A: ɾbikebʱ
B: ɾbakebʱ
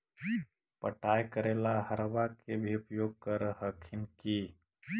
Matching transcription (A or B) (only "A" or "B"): B